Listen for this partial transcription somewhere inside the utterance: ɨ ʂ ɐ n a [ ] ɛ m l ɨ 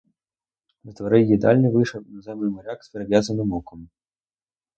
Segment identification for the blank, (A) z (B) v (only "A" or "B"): A